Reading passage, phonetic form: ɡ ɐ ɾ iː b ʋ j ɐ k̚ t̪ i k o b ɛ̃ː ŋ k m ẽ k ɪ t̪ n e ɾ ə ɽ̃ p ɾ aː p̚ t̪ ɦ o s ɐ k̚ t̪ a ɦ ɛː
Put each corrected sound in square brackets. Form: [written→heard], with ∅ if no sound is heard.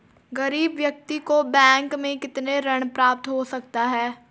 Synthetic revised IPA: ɡ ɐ ɾ iː b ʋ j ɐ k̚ t̪ i k o b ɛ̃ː ŋ k m ẽ k ɪ t̪ n e ɾ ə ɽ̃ p ɾ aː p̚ t̪ ɦ o s ɐ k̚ t̪ a ɦ ɛː